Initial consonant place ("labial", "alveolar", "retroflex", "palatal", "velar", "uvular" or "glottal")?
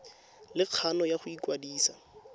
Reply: alveolar